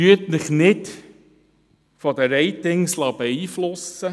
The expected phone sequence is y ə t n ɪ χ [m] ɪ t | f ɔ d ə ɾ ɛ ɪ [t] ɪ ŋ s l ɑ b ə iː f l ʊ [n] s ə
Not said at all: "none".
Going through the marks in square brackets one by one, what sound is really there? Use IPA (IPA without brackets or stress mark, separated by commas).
n, t, none